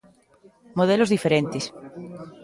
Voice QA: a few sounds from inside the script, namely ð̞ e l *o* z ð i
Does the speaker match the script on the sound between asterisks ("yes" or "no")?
yes